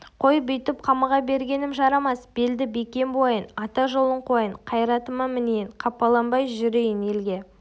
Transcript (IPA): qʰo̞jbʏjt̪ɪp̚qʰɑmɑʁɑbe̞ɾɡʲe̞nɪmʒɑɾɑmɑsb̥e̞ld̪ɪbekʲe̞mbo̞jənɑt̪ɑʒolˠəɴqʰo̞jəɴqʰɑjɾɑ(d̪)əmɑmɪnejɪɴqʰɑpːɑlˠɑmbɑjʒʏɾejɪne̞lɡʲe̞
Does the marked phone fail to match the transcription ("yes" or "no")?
yes